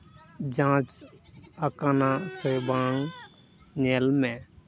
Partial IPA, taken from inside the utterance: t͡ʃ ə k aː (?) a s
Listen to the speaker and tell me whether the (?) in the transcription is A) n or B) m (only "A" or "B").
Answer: A